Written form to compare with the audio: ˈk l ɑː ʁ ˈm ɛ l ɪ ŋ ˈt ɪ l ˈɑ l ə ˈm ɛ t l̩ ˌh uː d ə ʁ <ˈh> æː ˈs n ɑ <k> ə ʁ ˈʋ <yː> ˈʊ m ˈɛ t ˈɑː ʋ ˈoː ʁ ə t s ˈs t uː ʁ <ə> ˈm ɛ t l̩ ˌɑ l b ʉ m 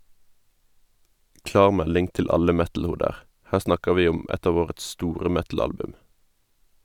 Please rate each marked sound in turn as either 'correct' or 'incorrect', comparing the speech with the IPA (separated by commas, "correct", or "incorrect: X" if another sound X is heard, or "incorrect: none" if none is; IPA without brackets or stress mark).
correct, correct, incorrect: iː, correct